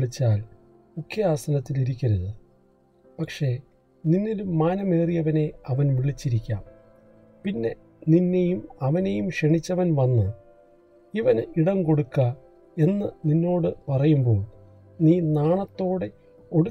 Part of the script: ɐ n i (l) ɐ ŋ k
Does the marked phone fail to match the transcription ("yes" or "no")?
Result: yes